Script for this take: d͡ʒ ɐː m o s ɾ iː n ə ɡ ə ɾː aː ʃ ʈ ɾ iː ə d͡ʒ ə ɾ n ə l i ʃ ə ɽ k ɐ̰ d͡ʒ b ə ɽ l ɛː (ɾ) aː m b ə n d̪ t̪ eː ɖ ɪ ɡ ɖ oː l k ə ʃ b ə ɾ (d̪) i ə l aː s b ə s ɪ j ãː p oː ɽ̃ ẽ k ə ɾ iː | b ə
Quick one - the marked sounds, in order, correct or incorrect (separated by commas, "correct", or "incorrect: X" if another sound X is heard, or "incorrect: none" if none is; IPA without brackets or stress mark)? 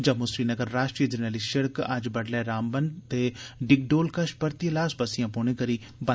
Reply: correct, incorrect: t̪